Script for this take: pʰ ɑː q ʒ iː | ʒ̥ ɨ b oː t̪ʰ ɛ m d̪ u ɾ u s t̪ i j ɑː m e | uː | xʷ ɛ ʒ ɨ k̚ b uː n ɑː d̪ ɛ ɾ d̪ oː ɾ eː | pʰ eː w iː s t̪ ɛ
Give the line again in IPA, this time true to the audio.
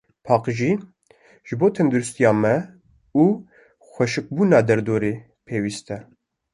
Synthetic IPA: pʰ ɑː q ʒ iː | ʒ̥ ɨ b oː t̪ʰ ɛ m d̪ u ɾ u s t̪ i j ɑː m ɛ | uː | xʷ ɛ ʃ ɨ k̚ b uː n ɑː d̪ ɛ ɾ d̪ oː ɾ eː | pʰ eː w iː s t̪ ɛ